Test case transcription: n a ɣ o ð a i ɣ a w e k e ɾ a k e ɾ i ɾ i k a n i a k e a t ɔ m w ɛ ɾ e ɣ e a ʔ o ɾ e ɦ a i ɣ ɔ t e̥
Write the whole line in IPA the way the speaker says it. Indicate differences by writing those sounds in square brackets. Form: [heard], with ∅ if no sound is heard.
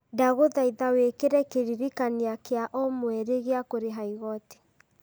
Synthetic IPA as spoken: [d] a ɣ o ð a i [ð] a w e k e ɾ [ɛ] k e ɾ i ɾ i k a n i a k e a [ʔ] ɔ m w ɛ ɾ e ɣ e a [k] o ɾ e ɦ a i ɣ ɔ t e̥